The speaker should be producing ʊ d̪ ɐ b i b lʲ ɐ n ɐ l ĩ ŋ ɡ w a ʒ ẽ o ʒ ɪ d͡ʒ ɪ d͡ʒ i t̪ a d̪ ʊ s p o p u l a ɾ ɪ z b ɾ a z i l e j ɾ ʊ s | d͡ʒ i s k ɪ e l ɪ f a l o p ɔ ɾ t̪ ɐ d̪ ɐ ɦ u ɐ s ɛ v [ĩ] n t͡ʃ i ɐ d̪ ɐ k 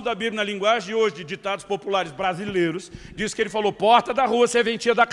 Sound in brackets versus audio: incorrect: ẽ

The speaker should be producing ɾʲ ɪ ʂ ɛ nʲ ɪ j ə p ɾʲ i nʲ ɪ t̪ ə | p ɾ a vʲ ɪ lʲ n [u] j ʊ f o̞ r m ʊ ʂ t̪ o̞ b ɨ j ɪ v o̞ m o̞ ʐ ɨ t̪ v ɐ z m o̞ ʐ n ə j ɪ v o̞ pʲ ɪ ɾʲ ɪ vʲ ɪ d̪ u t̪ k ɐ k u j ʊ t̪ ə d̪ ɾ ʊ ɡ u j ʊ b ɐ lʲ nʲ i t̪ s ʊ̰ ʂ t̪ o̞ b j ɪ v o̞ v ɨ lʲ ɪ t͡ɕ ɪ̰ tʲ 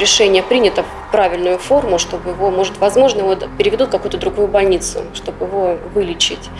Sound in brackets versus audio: incorrect: ʊ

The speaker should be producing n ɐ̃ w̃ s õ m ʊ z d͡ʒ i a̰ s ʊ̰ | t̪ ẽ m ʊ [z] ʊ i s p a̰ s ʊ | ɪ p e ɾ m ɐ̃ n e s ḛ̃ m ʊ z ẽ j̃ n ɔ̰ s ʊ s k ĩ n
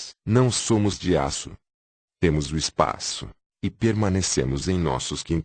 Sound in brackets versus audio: correct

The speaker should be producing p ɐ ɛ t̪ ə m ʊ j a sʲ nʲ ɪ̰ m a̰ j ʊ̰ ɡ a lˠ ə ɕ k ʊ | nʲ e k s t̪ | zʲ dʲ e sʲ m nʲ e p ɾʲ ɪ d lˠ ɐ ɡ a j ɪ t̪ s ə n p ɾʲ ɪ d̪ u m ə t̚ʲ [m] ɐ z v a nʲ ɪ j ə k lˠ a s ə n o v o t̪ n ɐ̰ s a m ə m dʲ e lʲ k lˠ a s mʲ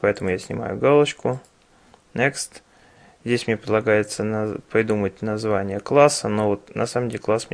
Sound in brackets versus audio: incorrect: n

